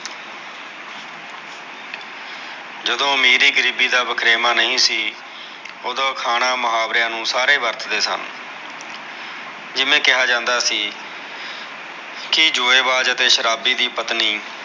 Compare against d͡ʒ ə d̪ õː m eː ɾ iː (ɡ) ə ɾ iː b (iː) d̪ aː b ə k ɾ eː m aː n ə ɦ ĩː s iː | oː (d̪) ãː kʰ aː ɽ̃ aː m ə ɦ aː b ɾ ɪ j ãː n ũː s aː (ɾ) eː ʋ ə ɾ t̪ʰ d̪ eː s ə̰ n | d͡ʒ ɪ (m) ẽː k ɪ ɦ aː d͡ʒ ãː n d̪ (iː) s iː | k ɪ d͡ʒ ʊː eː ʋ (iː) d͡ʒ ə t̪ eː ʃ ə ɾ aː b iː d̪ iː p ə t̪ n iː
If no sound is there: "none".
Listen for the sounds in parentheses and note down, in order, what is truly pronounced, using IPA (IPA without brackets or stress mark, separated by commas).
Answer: ɡ, iː, d̪, ɾ, m, aː, aː